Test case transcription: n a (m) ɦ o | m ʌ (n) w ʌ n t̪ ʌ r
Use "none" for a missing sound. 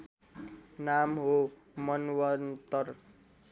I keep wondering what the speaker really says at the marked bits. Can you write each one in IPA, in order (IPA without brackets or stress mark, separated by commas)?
m, n